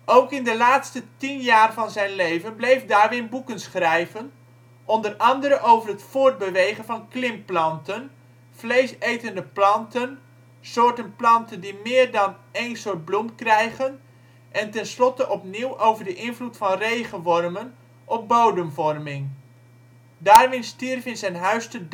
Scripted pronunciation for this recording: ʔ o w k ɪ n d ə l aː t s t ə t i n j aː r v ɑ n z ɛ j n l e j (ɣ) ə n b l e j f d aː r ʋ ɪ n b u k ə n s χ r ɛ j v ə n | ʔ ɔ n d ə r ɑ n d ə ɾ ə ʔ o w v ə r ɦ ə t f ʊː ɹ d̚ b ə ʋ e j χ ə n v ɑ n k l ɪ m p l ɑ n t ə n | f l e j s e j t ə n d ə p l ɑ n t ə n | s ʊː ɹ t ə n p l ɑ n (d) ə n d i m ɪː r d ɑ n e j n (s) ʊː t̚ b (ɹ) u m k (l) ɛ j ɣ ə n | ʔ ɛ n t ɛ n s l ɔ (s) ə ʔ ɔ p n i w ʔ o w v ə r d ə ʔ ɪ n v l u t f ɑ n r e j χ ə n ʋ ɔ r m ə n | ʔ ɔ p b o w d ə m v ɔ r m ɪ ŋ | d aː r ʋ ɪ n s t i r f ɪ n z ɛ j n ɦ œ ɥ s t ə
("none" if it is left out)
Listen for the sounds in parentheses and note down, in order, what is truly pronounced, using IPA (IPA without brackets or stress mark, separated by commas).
v, t, s, l, r, t